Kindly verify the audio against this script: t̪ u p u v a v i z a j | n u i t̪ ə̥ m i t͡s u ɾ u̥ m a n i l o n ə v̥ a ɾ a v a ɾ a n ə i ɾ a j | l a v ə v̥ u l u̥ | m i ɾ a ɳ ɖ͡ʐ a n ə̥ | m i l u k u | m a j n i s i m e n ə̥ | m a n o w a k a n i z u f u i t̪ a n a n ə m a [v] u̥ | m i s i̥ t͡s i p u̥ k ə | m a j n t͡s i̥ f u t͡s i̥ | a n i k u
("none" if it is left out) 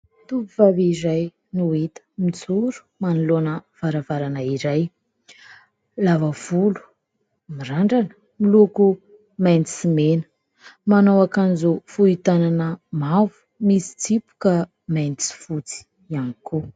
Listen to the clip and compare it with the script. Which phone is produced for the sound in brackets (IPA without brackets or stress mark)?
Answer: v